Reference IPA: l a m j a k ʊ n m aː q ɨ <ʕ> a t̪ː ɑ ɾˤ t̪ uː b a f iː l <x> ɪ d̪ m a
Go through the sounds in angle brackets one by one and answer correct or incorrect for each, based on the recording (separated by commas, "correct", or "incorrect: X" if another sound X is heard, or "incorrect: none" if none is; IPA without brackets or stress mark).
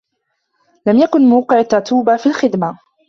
correct, correct